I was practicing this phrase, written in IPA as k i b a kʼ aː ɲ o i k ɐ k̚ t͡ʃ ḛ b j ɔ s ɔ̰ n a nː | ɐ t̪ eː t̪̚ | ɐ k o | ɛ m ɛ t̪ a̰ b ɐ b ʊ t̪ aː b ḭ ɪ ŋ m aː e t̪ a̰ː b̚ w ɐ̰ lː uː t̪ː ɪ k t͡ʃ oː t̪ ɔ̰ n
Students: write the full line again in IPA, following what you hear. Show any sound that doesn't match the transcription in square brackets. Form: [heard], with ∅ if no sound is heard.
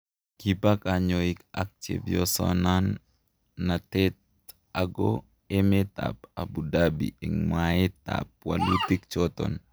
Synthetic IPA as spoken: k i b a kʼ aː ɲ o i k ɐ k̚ t͡ʃ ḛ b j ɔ s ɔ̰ n a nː | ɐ t̪ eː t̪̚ | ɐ [ɡ] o | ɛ m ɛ t̪ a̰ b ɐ b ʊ [d̪] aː b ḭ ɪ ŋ m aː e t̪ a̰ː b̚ w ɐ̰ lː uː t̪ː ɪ k t͡ʃ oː t̪ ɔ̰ n